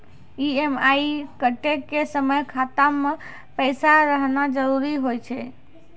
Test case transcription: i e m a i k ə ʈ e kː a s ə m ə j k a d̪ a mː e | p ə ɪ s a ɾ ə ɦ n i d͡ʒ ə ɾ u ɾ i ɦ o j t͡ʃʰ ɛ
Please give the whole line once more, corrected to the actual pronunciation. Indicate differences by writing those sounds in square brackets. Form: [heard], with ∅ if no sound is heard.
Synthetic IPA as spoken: i e m a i k ə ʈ e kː [e] s ə m ə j [kʰ] a [t̪] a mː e | p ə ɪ s a ɾ ə ɦ n [a] d͡ʒ ə ɾ u ɾ i ɦ o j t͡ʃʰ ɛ